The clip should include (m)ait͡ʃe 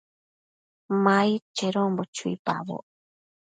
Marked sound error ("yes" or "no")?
no